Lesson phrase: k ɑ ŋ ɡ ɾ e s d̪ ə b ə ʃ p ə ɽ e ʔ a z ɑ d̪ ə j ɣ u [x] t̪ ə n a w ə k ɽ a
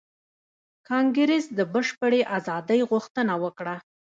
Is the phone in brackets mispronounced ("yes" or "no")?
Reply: no